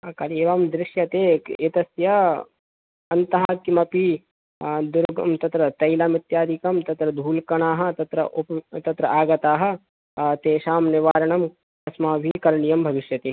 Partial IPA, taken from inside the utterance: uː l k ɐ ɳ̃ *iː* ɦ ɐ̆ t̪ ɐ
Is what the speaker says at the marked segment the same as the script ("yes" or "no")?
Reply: no